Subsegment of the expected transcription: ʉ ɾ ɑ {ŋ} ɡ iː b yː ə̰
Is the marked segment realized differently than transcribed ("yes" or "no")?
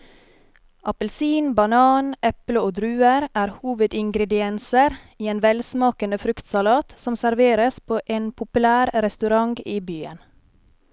no